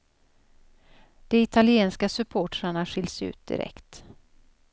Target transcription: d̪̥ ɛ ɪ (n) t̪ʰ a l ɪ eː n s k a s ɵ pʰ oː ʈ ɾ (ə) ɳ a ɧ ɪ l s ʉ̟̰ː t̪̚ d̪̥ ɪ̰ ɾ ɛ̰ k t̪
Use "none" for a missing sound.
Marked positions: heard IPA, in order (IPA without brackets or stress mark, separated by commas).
none, a